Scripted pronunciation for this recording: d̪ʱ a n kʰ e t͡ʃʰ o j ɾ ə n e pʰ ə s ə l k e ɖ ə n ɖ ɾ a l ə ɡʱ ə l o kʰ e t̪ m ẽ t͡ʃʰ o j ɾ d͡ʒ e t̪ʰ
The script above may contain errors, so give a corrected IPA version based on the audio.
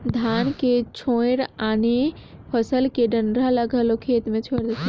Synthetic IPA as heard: d̪ʱ a n k e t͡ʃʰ o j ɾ a n e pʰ ə s ə l k e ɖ ə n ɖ ɾ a l ə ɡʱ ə l o kʰ e t̪ m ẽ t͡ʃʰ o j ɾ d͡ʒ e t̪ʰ

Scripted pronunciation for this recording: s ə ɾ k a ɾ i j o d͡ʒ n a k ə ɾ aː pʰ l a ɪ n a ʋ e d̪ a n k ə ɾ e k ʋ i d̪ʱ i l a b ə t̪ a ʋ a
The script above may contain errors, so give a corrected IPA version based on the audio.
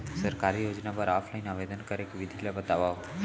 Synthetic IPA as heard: s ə ɾ k a ɾ i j o d͡ʒ n a p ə ɾ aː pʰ l a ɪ n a ʋ e d̪ ə n k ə ɾ e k ʋ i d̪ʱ i l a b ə t̪ a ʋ a

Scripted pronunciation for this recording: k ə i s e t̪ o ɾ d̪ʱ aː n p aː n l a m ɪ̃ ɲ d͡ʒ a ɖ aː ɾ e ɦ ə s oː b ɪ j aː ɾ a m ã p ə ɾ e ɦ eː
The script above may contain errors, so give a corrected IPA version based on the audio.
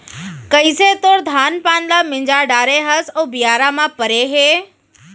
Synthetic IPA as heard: k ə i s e t̪ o ɾ d̪ʱ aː n p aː n l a m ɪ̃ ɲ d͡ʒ a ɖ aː ɾ e ɦ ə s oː b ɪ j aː ɾ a m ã p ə ɾ e ɦ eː

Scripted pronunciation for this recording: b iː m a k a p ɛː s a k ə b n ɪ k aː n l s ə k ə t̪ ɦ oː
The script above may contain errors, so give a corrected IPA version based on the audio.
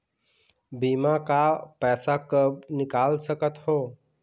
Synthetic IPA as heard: b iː m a k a p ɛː s a k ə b n ɪ k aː l s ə k ə t̪ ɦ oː

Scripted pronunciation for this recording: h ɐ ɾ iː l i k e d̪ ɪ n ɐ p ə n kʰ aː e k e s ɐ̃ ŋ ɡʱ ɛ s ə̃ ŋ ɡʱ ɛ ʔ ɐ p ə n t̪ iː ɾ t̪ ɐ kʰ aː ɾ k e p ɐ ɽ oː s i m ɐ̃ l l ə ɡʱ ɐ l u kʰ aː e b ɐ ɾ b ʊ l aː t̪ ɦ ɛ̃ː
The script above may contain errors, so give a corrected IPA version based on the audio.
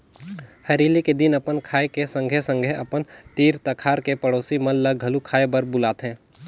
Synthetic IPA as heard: h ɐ ɾ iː l i k e d̪ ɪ n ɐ p ə n kʰ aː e k e s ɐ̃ ŋ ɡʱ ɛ s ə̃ ŋ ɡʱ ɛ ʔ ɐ p ə n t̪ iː ɾ t̪ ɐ kʰ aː ɾ k e p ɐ ɽ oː s i m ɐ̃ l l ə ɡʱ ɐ l u kʰ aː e b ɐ ɾ b ʊ l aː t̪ ɦ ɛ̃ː

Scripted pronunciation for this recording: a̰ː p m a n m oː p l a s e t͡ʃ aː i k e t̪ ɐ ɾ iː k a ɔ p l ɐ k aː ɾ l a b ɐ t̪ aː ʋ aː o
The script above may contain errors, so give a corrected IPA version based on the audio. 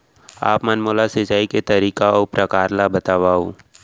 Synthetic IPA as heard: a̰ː p m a n m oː l a s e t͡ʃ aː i k e t̪ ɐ ɾ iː k a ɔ p ɾ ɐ k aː ɾ l a b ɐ t̪ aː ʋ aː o

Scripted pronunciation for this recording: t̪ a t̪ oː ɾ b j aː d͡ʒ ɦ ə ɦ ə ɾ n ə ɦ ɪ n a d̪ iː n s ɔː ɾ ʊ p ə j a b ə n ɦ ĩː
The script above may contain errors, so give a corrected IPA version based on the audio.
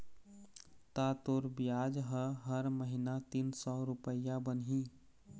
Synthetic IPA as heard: t̪ a t̪ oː ɾ b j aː d͡ʒ ɦ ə ɦ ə ɾ m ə ɦ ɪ n a t̪ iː n s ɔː ɾ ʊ p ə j a b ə n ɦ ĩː

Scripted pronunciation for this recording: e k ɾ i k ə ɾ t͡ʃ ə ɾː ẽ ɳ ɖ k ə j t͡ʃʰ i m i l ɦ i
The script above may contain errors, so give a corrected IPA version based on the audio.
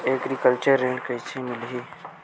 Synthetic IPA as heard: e k ɾ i k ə l t͡ʃ ə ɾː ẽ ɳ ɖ k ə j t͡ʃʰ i m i l ɦ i

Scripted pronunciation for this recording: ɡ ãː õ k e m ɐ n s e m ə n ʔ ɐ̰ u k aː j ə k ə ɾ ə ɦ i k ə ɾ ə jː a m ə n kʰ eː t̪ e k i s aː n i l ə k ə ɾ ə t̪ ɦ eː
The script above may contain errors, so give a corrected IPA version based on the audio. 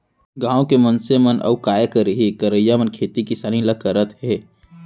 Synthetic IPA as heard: ɡ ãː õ k e m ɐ n s e m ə n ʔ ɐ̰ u k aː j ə k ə ɾ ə ɦ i k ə ɾ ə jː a m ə n kʰ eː t̪ i k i s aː n i l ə k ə ɾ ə t̪ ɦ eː

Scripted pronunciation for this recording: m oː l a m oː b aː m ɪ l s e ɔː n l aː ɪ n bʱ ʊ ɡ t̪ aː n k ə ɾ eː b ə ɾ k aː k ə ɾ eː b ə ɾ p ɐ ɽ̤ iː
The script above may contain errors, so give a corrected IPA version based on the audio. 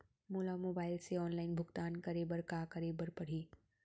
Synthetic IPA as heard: m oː l a m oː b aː ɪ l s e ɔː n l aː ɪ n bʱ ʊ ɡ t̪ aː n k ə ɾ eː b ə ɾ k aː k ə ɾ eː b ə ɾ p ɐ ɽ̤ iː

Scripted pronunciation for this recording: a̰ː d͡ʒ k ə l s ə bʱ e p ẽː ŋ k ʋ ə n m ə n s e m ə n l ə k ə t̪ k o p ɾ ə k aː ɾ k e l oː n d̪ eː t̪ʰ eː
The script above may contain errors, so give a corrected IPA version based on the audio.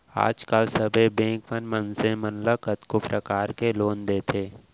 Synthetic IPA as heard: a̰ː d͡ʒ k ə l s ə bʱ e b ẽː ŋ k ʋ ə n m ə n s e m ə n l ə k ə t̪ k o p ɾ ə k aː ɾ k e l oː n d̪ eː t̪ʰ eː

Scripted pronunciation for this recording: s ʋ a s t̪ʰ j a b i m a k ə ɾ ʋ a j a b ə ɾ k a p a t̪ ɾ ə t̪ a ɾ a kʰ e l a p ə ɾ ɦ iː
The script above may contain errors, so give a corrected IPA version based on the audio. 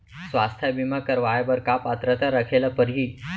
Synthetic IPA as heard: s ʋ a s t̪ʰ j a b i m a k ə ɾ ʋ a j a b ə ɾ k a p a t̪ ɾ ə t̪ a ɾ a kʰ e l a p ə ɾ ɦ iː

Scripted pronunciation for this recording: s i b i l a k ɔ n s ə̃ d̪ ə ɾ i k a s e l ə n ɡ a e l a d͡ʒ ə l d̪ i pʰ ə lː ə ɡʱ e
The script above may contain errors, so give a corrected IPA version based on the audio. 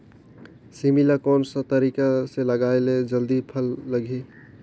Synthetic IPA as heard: s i m i l a k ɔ n s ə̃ t̪ ə ɾ i k a s e l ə ɡ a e l e d͡ʒ ə l d̪ i pʰ ə lː ə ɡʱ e

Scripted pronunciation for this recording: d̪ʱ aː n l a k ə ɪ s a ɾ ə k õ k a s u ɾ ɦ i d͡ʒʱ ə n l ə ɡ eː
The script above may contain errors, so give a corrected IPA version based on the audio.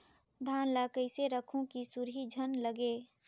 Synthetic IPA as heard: d̪ʱ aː n l a k ə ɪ s e ɾ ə kʰ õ k i s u ɾ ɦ i d͡ʒʱ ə n l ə ɡ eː

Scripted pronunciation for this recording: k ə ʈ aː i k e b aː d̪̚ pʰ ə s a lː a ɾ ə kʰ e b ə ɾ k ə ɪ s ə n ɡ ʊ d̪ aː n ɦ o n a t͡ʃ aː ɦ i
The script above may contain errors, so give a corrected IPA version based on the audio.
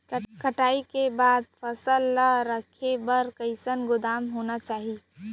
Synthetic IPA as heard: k ə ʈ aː i k e b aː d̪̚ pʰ ə s ə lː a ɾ ə kʰ e b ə ɾ k ə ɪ s ə n ɡ ʊ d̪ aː m ɦ o n a t͡ʃ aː ɦ i

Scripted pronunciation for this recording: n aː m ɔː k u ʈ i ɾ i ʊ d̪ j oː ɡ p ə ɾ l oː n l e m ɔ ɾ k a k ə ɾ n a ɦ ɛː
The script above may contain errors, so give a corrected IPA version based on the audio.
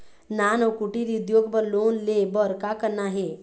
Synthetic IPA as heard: n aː n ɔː k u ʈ i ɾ i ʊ d̪ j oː ɡ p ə ɾ l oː n l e b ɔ ɾ k a k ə ɾ n a ɦ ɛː

